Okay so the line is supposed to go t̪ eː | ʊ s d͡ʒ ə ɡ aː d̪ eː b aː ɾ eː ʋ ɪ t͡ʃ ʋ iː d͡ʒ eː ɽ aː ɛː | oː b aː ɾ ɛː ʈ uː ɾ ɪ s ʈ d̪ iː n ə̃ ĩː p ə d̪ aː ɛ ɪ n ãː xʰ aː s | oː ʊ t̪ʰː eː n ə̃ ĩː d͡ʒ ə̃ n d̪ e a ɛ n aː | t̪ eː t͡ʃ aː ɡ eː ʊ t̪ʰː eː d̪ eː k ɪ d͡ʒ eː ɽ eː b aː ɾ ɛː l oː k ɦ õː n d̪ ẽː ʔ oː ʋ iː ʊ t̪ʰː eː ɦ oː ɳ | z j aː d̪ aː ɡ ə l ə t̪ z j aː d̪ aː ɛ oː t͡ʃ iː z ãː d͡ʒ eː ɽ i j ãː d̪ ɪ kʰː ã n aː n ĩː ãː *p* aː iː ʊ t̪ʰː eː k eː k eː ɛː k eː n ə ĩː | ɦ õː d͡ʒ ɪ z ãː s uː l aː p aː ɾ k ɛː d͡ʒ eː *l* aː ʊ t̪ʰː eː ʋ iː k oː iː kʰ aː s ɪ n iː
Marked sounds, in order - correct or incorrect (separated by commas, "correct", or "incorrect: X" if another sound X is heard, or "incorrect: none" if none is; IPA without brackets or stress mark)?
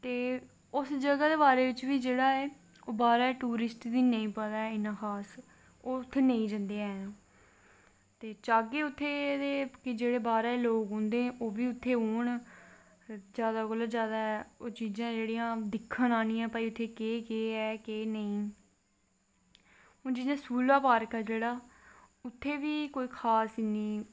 correct, incorrect: ɽ